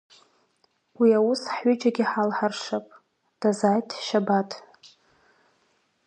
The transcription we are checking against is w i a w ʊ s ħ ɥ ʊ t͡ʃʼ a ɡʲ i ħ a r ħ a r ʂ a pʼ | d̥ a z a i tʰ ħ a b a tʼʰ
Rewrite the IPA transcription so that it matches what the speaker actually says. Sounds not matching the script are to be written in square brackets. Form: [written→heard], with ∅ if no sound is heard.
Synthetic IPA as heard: w i a w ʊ s ħ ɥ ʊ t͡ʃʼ a ɡʲ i ħ a [r→l] ħ a r ʂ a pʼ | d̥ a z a [i→j] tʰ [ħ→ʃ] a b a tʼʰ